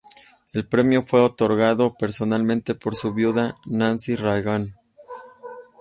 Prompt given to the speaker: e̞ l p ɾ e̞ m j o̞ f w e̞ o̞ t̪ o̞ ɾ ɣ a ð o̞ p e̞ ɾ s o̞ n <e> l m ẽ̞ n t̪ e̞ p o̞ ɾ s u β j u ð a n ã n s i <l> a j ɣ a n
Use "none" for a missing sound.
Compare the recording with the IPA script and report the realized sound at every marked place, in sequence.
a, r

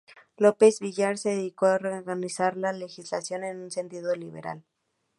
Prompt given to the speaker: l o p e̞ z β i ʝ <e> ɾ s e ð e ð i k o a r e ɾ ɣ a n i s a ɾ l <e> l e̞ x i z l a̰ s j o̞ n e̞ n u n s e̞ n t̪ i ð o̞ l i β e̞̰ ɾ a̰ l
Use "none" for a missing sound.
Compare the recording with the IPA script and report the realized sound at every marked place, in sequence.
a, a

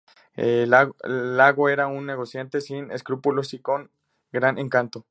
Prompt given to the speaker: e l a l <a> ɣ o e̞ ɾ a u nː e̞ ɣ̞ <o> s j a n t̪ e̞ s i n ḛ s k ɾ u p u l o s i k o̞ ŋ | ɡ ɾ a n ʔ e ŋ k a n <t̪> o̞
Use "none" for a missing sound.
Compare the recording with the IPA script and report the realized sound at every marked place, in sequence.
a, o, t̪

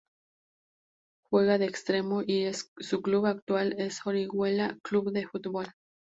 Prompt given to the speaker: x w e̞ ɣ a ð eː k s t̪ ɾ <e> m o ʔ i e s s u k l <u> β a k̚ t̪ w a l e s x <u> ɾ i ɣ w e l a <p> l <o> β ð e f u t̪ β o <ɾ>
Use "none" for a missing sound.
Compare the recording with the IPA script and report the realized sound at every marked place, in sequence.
e, u, o, k, u, l

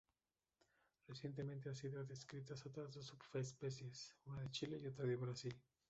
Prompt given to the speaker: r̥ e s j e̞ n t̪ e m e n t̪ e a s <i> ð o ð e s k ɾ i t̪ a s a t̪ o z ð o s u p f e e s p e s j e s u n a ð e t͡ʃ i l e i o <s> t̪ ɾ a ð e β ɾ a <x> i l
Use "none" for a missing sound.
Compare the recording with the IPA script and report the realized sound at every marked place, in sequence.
i, none, s

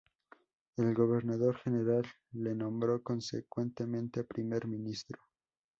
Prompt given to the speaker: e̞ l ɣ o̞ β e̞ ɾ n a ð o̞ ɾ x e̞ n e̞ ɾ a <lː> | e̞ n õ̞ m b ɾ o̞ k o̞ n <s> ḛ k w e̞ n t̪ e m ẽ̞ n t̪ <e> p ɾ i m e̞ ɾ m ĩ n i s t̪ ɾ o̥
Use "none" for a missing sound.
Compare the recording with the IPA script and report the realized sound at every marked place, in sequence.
lː, s, e

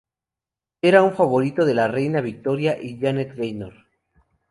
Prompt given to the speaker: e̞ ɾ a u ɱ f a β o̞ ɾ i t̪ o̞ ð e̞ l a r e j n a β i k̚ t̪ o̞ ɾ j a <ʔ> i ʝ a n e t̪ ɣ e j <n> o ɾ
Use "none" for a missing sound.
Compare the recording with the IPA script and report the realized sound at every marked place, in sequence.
ʔ, n

